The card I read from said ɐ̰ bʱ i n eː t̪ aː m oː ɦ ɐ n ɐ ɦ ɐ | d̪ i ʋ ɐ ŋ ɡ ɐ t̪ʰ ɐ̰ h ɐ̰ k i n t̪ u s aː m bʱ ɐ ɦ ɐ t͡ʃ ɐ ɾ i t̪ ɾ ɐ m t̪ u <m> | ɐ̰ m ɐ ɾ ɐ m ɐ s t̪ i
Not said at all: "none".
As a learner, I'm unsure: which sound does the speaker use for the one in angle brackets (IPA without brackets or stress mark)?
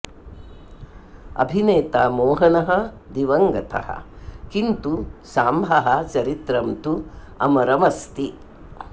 none